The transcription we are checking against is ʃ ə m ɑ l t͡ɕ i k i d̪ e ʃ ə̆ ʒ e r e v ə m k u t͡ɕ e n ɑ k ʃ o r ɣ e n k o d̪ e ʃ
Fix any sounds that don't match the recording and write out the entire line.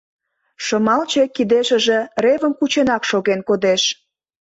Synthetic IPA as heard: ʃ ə m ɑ l t͡ɕ e k i d̪ e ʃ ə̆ ʒ e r e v ə m k u t͡ɕ e n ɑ k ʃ o ɣ e n k o d̪ e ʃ

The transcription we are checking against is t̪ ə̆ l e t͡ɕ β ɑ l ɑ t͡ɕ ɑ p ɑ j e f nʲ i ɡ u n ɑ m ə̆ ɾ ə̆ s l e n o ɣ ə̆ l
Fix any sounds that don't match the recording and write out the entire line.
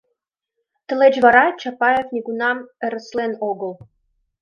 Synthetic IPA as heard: t̪ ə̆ l e t͡ɕ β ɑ ɾ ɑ t͡ɕ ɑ p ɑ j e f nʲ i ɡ u n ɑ m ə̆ ɾ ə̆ s l e n o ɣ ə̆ l

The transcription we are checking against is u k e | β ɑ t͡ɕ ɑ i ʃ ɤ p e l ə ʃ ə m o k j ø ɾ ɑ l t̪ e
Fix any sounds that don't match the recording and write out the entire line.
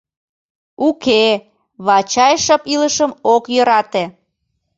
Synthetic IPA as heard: u k e | β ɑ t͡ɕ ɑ j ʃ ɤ p i l ə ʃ ə m o k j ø ɾ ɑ t̪ e

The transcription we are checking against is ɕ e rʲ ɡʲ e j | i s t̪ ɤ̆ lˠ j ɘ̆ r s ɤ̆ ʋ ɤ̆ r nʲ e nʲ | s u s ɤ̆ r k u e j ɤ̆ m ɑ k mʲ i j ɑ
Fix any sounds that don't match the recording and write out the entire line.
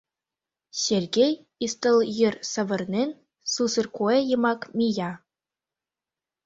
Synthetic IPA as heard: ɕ e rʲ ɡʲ e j | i s t̪ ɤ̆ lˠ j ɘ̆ r s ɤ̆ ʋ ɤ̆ r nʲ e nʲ | s u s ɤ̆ r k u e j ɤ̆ m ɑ k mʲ i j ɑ

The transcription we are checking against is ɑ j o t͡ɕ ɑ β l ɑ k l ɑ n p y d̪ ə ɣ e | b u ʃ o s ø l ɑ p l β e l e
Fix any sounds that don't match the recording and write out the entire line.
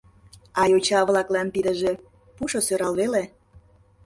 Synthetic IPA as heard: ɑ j o t͡ɕ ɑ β l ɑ k l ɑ n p i d̪ ə ʒ e | p u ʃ o s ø ɾ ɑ l β e l e

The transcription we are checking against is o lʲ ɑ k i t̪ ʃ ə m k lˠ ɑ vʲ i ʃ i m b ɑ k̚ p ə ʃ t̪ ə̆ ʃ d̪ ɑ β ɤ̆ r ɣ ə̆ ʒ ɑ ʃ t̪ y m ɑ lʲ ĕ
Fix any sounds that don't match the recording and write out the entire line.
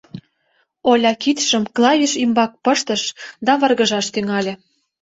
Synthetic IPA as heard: o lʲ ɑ k i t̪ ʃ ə m k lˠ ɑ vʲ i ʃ i m b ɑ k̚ p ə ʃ t̪ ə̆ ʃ d̪ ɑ β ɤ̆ r ɣ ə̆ ʒ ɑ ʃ t̪ y ŋ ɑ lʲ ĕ

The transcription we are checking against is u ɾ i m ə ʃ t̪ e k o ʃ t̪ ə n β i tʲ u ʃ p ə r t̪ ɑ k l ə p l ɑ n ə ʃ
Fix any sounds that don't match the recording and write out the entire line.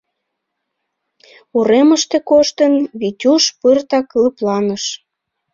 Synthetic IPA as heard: u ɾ e m ə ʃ t̪ e k o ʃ t̪ ə n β i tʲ u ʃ p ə r t̪ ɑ k l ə p l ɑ n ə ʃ

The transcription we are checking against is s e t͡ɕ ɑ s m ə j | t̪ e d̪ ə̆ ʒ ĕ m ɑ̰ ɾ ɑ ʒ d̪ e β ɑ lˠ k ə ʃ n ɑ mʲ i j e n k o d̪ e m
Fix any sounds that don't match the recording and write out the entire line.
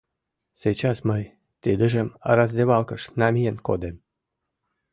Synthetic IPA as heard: s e t͡ɕ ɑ s m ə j | t̪ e d̪ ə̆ ʒ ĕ m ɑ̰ ɾ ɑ z d̪ e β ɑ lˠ k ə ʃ n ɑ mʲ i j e n k o d̪ e m

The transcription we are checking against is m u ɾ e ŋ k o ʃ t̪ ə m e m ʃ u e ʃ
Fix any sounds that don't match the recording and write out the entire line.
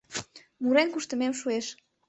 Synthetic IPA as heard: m u ɾ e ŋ k u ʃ t̪ ə m e m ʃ u e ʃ

